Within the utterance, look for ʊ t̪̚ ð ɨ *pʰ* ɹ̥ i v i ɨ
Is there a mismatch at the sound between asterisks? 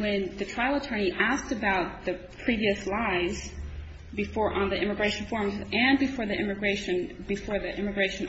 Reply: no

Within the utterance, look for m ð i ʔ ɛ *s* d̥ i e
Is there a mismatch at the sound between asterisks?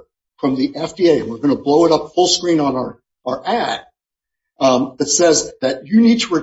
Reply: yes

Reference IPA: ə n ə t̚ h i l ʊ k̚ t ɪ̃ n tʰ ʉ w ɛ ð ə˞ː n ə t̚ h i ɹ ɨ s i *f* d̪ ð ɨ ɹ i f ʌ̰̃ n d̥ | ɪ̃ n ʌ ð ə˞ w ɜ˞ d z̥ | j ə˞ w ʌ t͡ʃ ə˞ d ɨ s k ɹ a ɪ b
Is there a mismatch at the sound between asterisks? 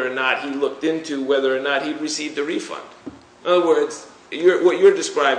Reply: yes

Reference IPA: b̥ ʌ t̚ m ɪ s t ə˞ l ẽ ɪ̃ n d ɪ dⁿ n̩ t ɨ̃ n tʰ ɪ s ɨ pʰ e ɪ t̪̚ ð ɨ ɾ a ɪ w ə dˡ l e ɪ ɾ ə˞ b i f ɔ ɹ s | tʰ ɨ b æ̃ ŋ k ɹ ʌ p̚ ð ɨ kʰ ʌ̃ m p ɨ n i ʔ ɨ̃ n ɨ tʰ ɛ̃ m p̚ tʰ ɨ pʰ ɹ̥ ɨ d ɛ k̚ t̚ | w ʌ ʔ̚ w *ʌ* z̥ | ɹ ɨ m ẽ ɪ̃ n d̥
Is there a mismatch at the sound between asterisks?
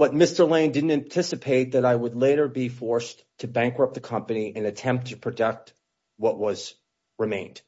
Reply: no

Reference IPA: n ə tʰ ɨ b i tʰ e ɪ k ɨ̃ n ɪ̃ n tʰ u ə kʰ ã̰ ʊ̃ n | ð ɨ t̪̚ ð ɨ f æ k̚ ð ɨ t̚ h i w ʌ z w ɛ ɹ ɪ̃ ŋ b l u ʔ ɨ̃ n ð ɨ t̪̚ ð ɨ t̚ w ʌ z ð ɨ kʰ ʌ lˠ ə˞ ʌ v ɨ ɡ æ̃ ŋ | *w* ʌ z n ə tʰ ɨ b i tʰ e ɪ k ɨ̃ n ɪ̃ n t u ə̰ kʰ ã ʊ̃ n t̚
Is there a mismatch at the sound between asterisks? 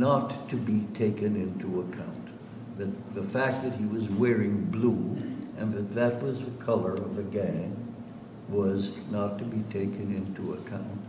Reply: no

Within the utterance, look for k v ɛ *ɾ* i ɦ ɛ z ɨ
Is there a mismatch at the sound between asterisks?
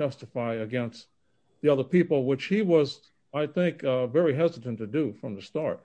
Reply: yes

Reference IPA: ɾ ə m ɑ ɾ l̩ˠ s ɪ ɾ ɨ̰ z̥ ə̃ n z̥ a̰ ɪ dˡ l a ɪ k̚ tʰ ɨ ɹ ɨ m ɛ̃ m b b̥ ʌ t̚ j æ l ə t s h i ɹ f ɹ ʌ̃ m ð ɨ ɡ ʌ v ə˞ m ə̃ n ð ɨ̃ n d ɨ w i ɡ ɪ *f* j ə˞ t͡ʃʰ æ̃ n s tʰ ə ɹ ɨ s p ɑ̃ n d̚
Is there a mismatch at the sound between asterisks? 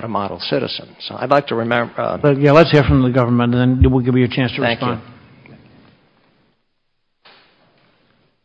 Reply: yes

